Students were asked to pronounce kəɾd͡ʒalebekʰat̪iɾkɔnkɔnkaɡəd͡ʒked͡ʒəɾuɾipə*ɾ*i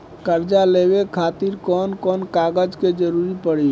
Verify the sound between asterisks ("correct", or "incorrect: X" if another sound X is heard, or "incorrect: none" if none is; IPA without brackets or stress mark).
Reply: incorrect: ɽ